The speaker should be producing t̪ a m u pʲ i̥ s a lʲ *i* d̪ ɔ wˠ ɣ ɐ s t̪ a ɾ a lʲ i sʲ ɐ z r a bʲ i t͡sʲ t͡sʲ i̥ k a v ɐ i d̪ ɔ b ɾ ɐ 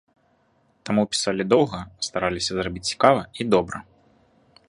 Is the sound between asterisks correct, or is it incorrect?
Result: correct